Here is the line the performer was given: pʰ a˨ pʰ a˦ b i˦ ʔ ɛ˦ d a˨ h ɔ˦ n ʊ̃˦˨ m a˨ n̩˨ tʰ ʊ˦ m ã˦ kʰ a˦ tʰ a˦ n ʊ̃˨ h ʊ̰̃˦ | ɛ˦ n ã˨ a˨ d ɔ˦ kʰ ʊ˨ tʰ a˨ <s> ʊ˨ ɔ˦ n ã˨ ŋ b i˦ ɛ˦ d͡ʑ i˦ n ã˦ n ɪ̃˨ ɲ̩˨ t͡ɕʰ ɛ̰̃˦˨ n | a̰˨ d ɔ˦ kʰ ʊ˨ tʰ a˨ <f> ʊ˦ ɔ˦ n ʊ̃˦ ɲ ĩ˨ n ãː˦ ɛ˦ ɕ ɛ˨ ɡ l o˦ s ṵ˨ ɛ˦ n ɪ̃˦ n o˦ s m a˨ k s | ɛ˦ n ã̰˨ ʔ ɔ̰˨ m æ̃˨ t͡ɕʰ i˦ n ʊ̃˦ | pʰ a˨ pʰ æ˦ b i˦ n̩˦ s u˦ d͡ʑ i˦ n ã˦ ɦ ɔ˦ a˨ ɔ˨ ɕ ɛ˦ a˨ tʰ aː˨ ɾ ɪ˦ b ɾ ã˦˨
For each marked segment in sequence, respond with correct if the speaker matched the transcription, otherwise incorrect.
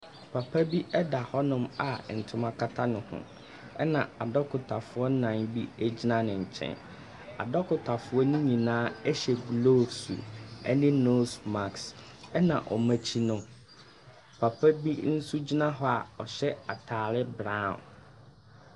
incorrect: f, correct

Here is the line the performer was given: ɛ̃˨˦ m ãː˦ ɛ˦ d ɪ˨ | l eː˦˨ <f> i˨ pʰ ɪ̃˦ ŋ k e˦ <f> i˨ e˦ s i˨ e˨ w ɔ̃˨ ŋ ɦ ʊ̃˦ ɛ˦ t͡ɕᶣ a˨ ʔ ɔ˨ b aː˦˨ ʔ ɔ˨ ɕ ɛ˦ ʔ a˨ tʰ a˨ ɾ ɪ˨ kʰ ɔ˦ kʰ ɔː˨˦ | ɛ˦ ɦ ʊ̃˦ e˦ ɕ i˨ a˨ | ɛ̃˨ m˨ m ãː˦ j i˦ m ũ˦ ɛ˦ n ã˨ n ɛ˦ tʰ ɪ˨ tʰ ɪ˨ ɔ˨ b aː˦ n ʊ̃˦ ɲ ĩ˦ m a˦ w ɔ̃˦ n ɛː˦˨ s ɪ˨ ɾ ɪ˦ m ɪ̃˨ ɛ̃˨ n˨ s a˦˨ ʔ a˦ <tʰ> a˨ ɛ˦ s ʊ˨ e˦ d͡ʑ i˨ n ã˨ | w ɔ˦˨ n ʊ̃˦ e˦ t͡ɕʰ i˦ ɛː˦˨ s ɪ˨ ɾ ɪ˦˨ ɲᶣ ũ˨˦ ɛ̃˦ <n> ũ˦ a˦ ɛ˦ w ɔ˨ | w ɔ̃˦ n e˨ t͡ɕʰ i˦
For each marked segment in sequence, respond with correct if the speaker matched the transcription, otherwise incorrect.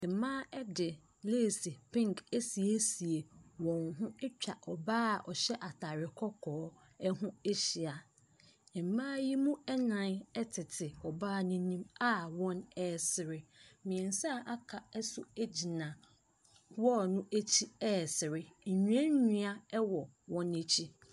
incorrect: s, incorrect: s, incorrect: kʰ, incorrect: ɲ

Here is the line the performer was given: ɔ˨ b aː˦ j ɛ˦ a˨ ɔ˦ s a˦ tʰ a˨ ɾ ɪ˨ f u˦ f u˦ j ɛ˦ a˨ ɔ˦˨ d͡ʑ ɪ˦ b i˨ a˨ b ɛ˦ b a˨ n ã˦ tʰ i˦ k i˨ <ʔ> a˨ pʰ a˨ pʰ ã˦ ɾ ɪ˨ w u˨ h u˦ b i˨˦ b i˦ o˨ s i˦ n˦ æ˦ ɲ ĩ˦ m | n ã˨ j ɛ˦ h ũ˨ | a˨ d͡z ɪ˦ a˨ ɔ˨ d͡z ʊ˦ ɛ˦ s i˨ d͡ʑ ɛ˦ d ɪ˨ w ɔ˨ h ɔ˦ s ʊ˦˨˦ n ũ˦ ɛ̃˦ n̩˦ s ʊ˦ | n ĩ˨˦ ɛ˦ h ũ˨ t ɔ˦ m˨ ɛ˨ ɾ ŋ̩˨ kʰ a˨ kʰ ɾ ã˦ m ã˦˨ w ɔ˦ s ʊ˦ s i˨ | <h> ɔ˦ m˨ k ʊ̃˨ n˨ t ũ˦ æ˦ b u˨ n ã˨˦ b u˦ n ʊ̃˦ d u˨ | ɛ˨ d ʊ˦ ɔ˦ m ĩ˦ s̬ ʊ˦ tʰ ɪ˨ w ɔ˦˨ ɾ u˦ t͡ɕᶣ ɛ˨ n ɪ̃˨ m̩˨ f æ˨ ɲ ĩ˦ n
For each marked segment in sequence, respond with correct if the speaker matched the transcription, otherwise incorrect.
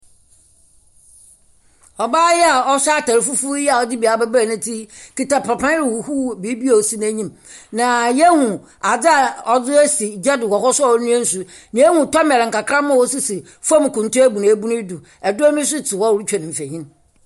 incorrect: t, incorrect: f

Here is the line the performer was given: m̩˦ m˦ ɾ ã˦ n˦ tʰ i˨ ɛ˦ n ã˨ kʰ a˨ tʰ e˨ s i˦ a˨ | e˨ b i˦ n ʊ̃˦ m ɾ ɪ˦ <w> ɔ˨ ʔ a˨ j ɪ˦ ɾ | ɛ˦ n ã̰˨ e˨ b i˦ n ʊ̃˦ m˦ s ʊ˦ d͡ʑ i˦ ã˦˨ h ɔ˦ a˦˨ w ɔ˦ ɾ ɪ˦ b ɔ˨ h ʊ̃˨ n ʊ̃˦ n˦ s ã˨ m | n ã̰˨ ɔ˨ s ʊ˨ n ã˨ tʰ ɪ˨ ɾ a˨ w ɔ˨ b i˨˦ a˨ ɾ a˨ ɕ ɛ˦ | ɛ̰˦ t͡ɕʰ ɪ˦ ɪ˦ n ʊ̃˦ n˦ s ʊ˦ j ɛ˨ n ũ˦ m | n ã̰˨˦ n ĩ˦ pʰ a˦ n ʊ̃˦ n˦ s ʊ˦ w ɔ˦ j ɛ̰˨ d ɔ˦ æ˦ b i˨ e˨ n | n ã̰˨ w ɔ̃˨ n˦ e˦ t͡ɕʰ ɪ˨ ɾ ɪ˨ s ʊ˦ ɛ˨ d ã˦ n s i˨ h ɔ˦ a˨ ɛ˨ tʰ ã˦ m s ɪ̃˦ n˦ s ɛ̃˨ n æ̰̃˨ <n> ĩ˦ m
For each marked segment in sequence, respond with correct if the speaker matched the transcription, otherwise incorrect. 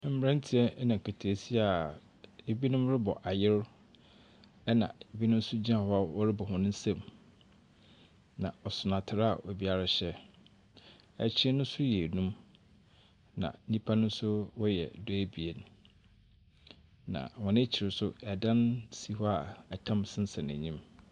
incorrect: b, incorrect: ɲ

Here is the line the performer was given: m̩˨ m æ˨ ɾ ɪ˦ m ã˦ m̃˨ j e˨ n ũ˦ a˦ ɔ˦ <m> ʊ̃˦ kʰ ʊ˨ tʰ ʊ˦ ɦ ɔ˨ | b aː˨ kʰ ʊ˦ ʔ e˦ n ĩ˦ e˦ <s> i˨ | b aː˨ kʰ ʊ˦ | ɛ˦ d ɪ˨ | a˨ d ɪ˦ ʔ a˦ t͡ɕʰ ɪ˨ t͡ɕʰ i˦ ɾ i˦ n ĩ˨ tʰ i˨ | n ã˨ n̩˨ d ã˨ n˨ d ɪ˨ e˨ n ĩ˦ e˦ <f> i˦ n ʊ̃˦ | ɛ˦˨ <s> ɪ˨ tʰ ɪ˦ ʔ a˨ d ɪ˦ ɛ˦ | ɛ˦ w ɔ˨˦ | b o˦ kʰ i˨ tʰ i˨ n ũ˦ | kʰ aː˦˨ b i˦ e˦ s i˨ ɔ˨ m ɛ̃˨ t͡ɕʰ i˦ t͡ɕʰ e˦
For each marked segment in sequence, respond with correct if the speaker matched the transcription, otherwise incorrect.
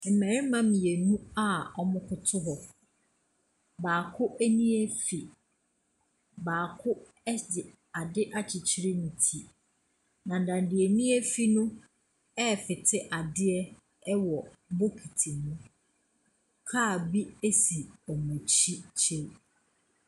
correct, incorrect: f, correct, incorrect: f

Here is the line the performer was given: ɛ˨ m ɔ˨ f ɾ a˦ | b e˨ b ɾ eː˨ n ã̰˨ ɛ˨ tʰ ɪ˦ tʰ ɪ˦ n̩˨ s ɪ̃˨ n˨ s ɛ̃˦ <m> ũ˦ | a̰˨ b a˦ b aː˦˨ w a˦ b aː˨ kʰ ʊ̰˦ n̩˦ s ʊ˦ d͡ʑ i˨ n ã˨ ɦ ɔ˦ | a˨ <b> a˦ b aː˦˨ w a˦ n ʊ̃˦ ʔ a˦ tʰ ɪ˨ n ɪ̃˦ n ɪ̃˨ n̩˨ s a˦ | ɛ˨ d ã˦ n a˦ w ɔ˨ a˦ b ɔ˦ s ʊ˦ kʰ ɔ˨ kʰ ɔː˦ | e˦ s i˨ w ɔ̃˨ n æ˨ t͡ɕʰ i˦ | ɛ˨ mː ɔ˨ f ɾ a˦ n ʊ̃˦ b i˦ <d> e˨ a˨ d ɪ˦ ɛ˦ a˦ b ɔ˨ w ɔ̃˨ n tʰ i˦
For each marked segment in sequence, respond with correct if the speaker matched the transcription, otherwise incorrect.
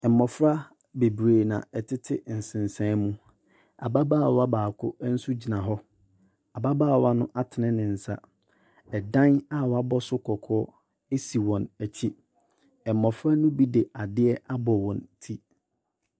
correct, correct, correct

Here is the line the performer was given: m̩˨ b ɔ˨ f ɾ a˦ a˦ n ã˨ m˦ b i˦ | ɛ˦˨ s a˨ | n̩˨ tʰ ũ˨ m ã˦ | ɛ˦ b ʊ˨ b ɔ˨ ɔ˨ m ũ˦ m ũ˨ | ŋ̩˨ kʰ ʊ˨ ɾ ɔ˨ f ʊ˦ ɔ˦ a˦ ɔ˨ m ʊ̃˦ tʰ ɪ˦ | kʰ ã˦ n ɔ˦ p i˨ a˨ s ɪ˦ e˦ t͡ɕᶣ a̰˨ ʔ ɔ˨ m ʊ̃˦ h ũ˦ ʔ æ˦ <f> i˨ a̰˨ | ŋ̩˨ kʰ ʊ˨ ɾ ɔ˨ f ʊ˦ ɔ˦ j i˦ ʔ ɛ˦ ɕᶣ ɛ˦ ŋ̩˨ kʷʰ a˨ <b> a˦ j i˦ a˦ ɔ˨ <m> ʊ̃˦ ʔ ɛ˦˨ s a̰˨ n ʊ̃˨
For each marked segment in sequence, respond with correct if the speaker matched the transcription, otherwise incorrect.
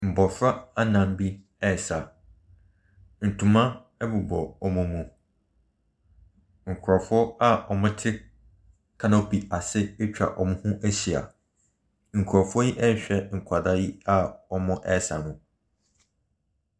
incorrect: ɕ, incorrect: d, correct

